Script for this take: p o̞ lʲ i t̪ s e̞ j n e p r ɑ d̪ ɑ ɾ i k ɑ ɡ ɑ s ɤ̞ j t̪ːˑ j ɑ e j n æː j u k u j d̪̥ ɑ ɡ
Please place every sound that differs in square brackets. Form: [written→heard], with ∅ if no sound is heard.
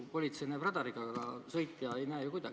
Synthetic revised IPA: p o̞ lʲ i t̪ s e̞ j n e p r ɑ d̪ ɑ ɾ i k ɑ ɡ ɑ s ɤ̞ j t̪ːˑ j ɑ e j n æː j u k u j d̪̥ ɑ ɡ